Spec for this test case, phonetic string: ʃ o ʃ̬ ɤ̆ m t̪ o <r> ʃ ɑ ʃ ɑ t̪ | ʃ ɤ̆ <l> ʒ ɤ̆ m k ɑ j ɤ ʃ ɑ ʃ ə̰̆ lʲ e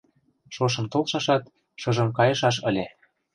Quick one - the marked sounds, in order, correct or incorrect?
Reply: incorrect: l, incorrect: none

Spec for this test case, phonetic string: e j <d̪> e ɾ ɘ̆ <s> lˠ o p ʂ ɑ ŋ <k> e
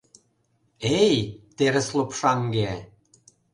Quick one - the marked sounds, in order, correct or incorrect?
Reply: incorrect: t̪, correct, incorrect: ɡ

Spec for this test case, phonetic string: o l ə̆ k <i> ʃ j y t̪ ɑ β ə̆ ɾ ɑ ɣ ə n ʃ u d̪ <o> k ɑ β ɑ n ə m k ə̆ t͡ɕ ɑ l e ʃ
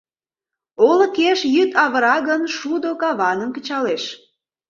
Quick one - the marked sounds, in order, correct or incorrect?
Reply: incorrect: e, correct

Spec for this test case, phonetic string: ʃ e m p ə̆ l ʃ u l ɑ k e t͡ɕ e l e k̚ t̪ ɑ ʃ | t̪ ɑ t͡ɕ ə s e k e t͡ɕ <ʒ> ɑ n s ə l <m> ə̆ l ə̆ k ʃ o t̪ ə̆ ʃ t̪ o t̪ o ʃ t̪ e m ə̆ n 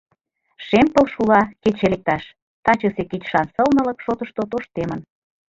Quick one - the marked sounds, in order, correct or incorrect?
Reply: incorrect: ʃ, incorrect: n

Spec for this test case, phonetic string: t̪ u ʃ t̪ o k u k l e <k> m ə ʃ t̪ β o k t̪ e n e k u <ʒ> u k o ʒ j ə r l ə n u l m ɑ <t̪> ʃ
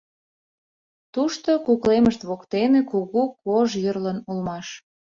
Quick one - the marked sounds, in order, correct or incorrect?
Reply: incorrect: none, incorrect: ɣ, incorrect: none

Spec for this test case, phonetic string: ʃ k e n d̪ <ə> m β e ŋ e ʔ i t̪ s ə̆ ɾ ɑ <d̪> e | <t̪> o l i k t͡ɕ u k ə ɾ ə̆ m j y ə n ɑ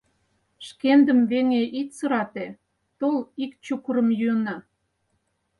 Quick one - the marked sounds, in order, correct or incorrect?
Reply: correct, incorrect: t̪, correct

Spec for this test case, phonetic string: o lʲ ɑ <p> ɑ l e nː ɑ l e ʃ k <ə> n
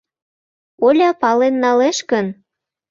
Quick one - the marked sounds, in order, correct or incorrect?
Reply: correct, correct

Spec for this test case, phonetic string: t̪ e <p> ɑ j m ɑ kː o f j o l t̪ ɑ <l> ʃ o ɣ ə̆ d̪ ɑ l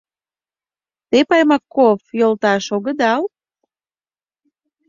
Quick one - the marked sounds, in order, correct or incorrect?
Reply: correct, incorrect: none

